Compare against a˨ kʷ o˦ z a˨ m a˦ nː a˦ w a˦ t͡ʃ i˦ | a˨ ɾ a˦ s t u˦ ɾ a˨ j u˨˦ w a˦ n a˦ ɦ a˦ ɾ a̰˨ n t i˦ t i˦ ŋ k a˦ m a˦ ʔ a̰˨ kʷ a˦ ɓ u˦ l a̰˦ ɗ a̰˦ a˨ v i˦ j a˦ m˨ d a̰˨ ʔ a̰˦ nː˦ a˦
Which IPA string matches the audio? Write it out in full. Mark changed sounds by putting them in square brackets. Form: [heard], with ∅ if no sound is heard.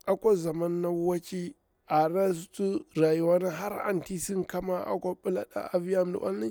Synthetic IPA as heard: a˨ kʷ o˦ z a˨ m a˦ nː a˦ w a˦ t͡ʃ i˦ | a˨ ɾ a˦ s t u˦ ɾ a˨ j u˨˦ w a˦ n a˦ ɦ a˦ ɾ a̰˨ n t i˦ [s] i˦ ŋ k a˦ m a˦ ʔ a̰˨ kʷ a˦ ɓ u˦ l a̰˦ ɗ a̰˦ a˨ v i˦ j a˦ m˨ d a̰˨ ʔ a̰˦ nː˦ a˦